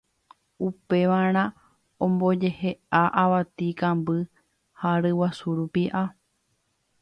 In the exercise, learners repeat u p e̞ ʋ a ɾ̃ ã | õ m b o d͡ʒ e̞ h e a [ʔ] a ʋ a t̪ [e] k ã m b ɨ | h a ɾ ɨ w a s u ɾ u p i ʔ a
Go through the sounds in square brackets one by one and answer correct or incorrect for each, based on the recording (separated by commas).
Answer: correct, incorrect